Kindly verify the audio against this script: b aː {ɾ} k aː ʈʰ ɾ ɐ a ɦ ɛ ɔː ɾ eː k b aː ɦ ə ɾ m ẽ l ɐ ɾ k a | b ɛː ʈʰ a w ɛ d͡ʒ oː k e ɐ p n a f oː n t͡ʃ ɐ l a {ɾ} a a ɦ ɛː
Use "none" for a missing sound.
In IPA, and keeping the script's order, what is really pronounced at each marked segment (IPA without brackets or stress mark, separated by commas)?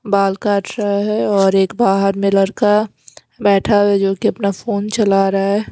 l, ɾ